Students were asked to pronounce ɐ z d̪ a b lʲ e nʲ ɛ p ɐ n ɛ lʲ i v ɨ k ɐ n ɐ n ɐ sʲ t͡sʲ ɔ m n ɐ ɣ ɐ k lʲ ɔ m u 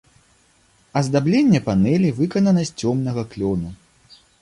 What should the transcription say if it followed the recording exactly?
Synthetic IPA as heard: ɐ z d̪ a b lʲ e nʲː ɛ p a n ɛ lʲ i v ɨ k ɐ n ɐ n ɐ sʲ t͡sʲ ɔ m n ɐ ɣ ɐ k lʲ ɔ n u